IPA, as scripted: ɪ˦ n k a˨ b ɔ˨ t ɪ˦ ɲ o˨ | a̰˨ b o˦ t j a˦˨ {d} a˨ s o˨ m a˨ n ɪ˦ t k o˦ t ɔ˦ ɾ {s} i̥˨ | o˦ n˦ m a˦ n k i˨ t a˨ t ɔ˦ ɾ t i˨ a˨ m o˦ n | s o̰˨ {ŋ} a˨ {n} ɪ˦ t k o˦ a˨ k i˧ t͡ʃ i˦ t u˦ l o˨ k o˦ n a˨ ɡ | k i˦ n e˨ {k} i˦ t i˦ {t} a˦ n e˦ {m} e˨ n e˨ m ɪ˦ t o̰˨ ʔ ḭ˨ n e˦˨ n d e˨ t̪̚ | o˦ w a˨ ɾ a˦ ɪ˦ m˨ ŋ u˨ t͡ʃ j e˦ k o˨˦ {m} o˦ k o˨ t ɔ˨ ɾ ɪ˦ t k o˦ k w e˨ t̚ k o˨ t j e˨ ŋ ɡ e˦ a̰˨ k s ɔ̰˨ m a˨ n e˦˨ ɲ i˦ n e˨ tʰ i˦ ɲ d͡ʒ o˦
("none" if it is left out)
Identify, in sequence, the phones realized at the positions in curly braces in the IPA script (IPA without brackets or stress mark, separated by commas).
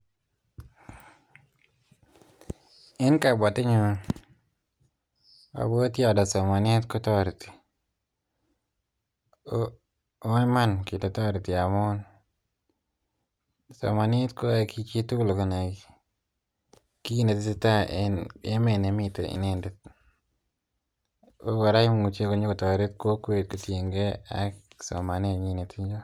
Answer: d, t, m, n, t, t, m, ɲ